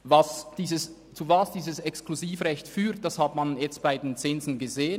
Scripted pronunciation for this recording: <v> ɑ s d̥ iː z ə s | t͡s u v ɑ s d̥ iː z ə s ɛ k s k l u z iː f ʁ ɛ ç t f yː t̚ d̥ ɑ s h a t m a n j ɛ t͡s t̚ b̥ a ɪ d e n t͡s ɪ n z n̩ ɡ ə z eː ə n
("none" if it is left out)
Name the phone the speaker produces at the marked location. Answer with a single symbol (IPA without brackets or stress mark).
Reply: v